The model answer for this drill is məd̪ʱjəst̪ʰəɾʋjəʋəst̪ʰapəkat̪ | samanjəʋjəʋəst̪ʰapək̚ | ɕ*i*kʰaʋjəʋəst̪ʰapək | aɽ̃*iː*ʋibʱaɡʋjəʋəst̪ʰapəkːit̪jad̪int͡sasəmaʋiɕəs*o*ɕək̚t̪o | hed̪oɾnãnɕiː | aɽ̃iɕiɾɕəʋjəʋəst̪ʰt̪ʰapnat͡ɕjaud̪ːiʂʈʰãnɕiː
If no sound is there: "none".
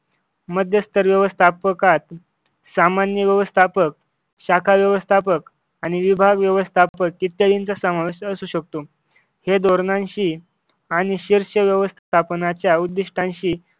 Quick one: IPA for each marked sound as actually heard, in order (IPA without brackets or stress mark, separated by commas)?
a, i, u